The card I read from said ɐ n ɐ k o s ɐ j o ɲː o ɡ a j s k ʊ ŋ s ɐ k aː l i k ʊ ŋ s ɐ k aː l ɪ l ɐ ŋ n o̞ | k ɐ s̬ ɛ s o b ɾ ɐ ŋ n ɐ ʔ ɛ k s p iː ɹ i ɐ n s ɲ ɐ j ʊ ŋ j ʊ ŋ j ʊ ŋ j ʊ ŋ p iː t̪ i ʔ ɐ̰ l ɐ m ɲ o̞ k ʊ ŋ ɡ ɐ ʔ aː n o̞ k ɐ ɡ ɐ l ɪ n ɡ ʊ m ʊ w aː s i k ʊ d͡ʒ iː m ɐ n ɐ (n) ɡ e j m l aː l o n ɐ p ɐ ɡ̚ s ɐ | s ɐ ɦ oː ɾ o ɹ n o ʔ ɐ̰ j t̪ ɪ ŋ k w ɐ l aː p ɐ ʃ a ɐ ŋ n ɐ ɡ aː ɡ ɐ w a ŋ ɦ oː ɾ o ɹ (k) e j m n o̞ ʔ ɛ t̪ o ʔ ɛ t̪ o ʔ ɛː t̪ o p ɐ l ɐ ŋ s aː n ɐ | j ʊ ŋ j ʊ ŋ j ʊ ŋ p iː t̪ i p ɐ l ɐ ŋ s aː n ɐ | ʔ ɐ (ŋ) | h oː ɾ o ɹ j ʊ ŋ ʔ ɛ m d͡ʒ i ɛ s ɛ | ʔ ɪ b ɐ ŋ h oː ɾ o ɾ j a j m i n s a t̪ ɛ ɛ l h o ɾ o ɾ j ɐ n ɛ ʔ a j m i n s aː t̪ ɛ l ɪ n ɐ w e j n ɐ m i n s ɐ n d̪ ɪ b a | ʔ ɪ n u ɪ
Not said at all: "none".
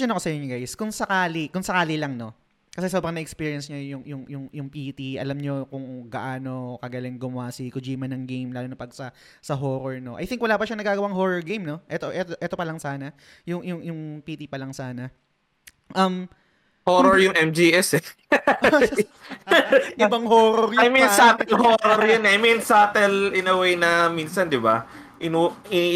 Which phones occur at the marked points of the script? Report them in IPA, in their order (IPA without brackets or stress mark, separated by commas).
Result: ŋ, ɡ, m